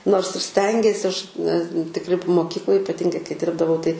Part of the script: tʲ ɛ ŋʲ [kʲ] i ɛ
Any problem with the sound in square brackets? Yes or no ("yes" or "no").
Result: yes